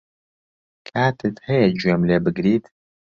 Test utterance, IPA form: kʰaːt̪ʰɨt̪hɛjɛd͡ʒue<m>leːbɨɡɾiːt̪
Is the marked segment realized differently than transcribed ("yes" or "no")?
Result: no